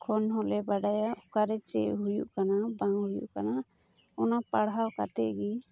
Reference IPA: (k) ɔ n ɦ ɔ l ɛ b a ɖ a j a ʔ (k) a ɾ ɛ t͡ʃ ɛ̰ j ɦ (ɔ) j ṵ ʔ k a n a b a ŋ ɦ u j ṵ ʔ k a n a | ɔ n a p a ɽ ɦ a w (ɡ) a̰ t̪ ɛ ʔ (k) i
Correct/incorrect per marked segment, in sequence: incorrect: kʰ, correct, incorrect: u, incorrect: k, incorrect: ɡ

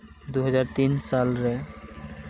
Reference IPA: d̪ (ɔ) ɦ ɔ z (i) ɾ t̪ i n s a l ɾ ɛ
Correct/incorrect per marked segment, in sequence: incorrect: u, incorrect: a

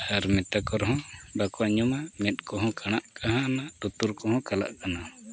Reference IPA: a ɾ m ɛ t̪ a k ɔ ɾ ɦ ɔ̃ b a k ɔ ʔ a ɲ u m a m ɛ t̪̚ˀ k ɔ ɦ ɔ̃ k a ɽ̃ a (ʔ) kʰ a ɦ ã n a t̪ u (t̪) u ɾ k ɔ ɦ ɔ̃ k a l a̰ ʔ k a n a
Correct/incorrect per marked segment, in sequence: correct, correct

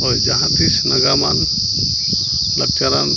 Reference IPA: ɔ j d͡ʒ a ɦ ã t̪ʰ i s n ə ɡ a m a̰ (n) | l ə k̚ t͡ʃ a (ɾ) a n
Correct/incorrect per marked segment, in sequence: correct, correct

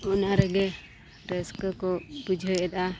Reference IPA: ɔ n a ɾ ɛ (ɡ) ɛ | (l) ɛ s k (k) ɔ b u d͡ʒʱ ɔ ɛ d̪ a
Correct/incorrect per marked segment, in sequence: correct, incorrect: ɾ, correct

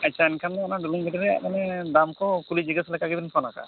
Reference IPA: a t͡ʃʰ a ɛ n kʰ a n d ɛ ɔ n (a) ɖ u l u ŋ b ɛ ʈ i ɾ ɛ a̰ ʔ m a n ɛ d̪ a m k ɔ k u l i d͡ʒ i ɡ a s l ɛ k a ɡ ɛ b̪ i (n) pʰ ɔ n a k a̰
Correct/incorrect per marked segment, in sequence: correct, correct

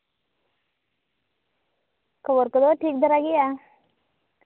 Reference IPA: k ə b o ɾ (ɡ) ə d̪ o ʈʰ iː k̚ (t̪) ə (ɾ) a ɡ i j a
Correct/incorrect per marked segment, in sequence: incorrect: k, incorrect: d̪, correct

